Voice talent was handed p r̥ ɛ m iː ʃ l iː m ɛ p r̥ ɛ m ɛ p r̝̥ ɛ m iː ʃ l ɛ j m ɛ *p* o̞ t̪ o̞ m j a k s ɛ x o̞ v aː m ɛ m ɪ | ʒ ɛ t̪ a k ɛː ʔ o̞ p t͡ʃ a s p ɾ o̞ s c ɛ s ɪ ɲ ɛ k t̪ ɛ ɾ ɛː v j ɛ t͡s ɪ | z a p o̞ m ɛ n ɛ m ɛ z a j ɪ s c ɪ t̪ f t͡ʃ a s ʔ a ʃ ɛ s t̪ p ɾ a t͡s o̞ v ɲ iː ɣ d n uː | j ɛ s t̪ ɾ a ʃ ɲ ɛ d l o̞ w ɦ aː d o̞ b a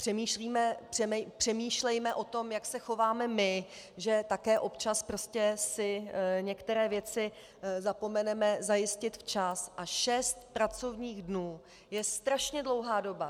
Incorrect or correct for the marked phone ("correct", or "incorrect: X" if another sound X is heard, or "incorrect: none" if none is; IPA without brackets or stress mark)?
incorrect: ʔ